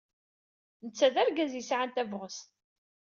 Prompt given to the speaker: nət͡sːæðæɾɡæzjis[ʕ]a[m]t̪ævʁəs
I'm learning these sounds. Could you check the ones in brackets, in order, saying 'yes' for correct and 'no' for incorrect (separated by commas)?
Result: yes, no